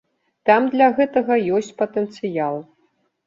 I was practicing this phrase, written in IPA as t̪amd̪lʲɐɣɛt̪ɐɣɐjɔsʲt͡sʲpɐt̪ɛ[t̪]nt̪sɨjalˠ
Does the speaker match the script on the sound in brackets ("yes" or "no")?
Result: no